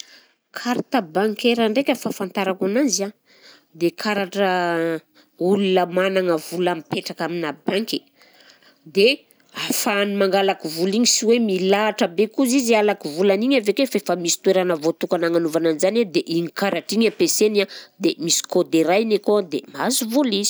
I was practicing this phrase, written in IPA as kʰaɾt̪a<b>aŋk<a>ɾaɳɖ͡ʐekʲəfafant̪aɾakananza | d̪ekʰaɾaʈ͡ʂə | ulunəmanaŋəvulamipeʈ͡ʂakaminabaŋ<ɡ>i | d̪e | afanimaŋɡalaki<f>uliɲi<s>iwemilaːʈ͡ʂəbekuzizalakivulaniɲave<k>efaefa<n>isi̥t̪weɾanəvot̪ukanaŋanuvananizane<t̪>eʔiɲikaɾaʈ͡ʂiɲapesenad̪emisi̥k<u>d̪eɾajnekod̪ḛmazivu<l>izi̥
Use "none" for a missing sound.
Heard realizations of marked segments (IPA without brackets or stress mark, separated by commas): b, e, k, v, s, k, m, d̪, o, l